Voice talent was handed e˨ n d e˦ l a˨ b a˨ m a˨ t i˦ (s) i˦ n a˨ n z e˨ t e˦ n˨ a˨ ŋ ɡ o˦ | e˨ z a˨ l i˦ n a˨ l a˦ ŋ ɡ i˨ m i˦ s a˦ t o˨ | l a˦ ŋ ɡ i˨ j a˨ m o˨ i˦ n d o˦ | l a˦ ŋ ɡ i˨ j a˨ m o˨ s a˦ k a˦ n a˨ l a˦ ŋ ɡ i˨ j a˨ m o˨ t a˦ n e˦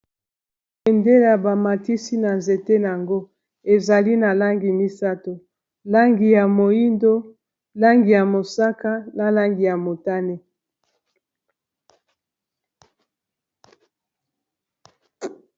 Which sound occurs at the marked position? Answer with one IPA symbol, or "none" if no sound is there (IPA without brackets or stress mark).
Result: s